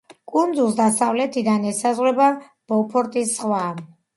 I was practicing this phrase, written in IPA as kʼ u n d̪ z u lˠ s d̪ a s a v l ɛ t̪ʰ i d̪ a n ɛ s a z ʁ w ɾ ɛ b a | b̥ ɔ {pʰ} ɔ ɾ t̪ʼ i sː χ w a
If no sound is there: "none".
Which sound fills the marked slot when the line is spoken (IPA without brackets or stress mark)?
pʰ